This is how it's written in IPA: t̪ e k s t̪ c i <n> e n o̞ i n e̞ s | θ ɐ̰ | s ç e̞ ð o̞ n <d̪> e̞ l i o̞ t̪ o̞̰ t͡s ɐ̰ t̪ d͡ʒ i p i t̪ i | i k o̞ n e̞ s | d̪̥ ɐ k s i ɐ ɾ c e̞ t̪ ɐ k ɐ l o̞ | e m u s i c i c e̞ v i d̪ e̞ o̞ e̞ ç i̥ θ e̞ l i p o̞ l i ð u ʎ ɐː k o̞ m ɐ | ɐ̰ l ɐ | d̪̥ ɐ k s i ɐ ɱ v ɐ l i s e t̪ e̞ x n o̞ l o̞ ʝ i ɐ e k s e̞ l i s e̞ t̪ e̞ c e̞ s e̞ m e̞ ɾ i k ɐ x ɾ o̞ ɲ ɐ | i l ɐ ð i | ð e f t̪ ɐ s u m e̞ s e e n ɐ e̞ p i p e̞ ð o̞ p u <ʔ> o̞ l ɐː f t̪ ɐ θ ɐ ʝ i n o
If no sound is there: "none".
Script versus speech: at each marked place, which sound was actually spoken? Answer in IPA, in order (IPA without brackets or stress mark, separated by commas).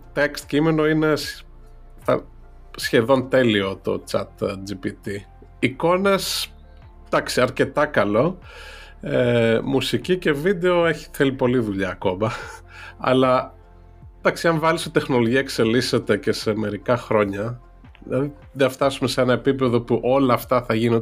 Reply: m, t̪, ʔ